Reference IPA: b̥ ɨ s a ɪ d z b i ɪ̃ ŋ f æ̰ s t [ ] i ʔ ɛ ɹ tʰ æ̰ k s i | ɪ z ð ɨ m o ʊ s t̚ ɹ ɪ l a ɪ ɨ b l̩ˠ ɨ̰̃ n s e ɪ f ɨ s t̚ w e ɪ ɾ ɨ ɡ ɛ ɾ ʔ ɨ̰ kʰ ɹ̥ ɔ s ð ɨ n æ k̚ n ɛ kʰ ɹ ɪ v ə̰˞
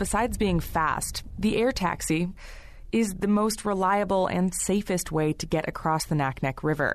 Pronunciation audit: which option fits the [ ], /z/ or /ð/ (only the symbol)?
ð